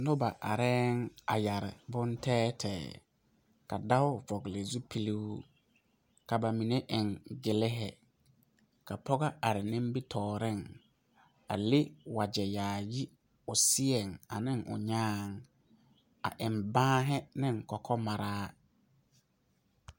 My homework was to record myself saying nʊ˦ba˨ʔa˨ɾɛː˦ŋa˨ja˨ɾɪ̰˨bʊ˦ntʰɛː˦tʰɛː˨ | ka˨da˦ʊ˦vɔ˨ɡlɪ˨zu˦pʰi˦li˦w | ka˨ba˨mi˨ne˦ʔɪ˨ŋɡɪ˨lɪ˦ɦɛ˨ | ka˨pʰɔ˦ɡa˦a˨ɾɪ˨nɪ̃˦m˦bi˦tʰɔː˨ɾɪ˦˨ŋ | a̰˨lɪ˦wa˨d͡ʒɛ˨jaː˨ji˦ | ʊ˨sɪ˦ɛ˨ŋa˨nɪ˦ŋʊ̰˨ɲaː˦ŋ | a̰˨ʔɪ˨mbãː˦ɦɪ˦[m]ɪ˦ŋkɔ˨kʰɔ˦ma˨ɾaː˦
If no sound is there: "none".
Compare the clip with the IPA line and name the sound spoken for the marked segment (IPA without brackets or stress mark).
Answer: n